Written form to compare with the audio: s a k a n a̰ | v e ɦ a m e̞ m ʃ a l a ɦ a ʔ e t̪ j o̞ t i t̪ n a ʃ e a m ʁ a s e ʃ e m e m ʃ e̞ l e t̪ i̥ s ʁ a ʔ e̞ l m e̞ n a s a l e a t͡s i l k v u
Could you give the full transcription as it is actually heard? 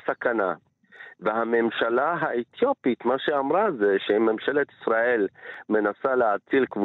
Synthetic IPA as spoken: s a k a n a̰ | v e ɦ a m e̞ m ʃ a l a ɦ a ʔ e t̪ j o̞ p i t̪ m a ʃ e a m ʁ a z e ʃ e m e m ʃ e̞ l e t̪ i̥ s ʁ a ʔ e̞ l m e̞ n a s a l e a t͡s i l k v u